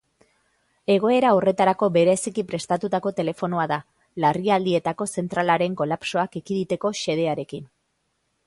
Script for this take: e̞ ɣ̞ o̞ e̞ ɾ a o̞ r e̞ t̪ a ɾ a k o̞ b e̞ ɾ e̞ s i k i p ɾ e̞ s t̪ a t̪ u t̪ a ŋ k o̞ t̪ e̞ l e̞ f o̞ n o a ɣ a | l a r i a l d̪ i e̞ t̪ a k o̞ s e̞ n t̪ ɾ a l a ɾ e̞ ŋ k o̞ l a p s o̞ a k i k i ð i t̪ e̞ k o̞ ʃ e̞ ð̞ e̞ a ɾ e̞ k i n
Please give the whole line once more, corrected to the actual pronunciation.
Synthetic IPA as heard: e̞ ɣ̞ o̞ e̞ ɾ a o̞ r e̞ t̪ a ɾ a k o̞ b e̞ ɾ e̞ s i k i p ɾ e̞ s t̪ a t̪ u t̪ a k o̞ t̪ e̞ l e̞ f o̞ n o a ð a | l a r i a l d̪ i e̞ t̪ a k o̞ s e̞ n t̪ ɾ a l a ɾ e̞ ŋ k o̞ l a p s o̞ a k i k i ð i t̪ e̞ k o̞ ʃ e̞ ð̞ e̞ a ɾ e̞ k i n